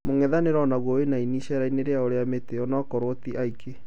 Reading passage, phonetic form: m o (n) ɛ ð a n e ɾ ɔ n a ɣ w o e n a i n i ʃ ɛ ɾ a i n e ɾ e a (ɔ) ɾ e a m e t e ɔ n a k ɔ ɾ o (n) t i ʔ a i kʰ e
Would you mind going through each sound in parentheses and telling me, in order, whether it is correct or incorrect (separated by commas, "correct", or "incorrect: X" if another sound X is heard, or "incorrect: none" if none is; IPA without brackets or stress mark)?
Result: incorrect: ŋ, incorrect: o, incorrect: none